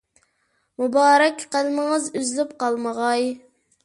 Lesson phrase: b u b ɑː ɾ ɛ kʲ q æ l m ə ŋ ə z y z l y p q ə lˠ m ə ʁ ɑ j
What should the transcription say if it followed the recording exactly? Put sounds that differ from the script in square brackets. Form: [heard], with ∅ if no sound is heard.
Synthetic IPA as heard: [m] u b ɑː ɾ ɛ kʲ q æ l m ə ŋ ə z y z l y p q [ɑ] lˠ m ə ʁ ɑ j

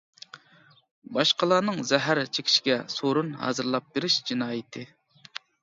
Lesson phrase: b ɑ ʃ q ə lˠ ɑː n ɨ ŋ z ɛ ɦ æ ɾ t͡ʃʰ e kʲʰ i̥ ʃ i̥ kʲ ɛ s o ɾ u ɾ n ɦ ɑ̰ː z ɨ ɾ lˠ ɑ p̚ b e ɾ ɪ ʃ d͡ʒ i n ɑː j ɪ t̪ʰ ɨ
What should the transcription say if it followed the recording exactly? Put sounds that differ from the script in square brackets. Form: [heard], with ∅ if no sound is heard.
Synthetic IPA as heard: b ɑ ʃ q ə lˠ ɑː n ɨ ŋ z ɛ ɦ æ ɾ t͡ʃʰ e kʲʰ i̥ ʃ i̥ [ɡʲ] ɛ s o ɾ u [∅] n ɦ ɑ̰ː z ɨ ɾ lˠ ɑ p̚ b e ɾ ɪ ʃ d͡ʒ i n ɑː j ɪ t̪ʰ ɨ

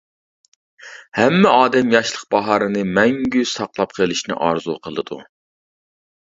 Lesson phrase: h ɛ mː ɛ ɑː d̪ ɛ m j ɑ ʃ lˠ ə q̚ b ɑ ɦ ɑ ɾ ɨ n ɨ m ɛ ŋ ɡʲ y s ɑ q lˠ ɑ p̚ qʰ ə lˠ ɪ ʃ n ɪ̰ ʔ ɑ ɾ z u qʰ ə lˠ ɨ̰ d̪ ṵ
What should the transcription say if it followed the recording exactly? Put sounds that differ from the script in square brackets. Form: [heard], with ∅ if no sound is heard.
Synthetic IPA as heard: h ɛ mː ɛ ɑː d̪ ɛ m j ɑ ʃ lˠ ə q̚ b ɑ ɦ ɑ ɾ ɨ n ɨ m ɛ ŋ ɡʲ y s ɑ q lˠ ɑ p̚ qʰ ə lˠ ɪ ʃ n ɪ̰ ʔ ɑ ɾ z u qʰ ə lˠ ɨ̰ d̪ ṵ

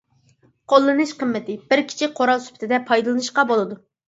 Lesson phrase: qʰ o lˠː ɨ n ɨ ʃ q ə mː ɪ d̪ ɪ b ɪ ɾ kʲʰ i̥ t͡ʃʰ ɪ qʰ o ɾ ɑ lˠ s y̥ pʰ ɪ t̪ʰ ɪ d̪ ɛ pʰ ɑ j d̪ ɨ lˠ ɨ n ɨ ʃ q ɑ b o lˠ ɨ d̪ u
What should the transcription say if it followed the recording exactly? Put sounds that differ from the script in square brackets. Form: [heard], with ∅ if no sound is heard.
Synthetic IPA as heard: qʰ o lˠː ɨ n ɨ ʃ q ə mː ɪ [t̪] ɪ b ɪ ɾ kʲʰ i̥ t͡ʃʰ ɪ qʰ o ɾ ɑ lˠ s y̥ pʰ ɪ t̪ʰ ɪ d̪ ɛ pʰ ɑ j d̪ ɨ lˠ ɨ n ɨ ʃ q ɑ b o lˠ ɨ d̪ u

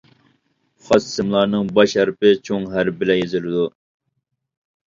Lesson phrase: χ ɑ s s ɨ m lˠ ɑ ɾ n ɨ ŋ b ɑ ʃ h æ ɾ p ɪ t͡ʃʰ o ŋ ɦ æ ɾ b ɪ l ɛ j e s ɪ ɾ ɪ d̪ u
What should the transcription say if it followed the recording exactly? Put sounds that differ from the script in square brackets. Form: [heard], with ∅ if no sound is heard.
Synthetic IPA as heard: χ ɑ s s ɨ m lˠ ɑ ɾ n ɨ ŋ b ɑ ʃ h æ ɾ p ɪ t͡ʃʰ o ŋ ɦ æ ɾ b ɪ l ɛ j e [z] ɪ [l] ɪ d̪ u

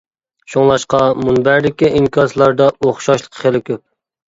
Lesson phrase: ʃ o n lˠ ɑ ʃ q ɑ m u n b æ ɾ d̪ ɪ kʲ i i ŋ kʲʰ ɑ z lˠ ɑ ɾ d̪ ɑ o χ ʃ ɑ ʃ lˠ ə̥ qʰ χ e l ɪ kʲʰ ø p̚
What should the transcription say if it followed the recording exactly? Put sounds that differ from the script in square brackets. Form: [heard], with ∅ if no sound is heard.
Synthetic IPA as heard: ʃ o [ŋ] lˠ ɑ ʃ q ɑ m u n b æ ɾ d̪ ɪ kʲ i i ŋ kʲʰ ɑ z lˠ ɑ ɾ d̪ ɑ o χ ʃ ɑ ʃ lˠ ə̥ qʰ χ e l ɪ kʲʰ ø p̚

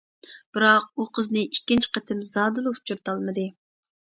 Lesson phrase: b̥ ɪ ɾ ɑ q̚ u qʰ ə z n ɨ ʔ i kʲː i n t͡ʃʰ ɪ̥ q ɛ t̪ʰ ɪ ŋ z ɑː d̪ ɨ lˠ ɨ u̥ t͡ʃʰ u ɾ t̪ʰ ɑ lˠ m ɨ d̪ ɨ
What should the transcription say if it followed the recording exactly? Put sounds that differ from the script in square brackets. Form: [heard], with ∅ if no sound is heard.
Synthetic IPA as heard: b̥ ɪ ɾ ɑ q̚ u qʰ ə z n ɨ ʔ i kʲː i n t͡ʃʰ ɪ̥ q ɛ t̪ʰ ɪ [m] z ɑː d̪ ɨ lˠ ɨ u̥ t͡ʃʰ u ɾ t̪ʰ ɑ lˠ m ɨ d̪ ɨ

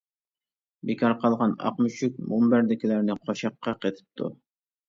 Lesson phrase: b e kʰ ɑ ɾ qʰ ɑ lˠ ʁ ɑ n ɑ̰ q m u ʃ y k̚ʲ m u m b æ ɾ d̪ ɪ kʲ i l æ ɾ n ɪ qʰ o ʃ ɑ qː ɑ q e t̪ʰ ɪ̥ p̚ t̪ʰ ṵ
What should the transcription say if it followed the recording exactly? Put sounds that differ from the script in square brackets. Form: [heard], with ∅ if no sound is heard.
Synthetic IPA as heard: b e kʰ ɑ ɾ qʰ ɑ lˠ ʁ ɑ n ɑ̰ q m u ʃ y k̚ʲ m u m b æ ɾ d̪ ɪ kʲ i l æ ɾ n ɪ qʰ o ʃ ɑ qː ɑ q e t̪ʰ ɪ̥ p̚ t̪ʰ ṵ

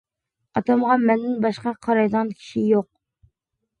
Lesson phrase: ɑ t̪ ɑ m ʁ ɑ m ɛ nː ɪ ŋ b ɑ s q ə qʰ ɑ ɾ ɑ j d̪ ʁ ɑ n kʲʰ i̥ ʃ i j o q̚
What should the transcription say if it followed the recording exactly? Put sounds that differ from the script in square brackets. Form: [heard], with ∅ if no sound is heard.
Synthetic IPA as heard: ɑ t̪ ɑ m ʁ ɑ m ɛ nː ɪ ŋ b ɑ [ʃ] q [ɑ] qʰ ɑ ɾ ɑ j d̪ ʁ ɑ n kʲʰ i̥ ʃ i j o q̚

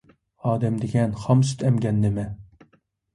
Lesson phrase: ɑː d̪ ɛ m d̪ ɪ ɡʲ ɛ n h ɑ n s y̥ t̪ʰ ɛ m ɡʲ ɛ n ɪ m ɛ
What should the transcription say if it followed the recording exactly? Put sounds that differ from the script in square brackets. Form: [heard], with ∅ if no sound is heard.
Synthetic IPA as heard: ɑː d̪ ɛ m d̪ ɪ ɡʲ ɛ n [χ] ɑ [m] s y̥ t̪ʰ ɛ m ɡʲ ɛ [nː] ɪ m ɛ

